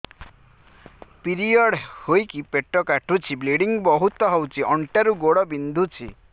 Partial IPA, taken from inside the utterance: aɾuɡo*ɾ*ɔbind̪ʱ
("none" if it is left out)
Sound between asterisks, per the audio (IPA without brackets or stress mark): ɽ